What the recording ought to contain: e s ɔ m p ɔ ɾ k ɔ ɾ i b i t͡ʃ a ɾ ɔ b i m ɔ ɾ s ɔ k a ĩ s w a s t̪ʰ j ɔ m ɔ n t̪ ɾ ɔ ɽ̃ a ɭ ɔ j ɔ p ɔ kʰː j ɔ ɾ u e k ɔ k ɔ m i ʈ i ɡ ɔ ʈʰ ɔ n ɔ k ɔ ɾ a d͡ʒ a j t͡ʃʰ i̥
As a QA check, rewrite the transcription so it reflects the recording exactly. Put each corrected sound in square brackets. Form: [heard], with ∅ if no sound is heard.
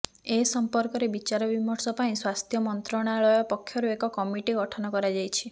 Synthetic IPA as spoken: e s ɔ m p ɔ ɾ k ɔ ɾ [e] b i t͡ʃ a ɾ ɔ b i m ɔ ɾ s ɔ [p] a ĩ s w a s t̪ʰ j ɔ m ɔ n t̪ ɾ ɔ ɽ̃ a ɭ ɔ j ɔ p ɔ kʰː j ɔ ɾ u e k ɔ k ɔ m i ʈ i ɡ ɔ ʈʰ ɔ n ɔ k ɔ ɾ a d͡ʒ a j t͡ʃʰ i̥